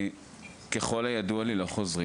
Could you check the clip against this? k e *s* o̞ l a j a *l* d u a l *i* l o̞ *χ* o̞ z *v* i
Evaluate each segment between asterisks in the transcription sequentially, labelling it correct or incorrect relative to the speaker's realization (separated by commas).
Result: incorrect, incorrect, correct, correct, incorrect